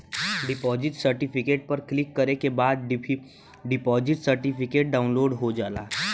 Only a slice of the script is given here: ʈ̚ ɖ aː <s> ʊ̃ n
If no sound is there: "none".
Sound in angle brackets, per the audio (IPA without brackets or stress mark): none